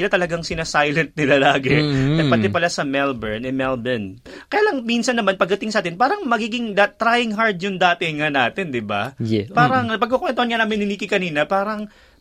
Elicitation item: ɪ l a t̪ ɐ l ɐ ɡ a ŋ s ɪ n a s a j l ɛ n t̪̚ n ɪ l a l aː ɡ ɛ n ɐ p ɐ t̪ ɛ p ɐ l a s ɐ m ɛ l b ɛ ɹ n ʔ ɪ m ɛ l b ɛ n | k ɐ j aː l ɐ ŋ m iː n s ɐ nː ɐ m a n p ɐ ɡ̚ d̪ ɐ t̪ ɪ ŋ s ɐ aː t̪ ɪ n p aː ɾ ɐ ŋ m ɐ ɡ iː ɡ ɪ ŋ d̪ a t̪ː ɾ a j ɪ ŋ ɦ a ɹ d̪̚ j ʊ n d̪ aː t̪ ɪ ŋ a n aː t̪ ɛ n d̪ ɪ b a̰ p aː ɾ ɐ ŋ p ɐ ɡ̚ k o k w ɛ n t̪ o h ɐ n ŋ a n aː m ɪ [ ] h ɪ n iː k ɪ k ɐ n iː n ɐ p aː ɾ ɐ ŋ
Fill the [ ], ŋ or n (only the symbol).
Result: n